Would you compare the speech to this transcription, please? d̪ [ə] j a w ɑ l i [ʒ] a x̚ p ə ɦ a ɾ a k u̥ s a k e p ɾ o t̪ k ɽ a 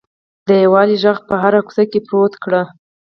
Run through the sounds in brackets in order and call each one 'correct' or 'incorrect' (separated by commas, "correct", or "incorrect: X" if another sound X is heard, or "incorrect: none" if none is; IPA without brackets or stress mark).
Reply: correct, correct